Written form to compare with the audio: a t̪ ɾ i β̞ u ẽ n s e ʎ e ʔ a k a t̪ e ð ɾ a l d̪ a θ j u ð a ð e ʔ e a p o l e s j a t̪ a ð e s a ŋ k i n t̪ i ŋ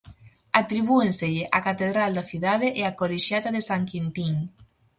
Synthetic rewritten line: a t̪ ɾ i β̞ u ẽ n s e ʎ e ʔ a k a t̪ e ð ɾ a l d̪ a θ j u ð a ð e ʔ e a k o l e ʃ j a t̪ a ð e s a ŋ k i n t̪ i ŋ